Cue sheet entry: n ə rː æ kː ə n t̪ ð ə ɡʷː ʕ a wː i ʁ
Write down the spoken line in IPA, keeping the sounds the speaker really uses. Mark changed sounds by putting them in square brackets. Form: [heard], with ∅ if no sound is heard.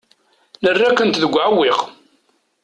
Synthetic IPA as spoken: n ə rː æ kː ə n t̪ ð ə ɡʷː ʕ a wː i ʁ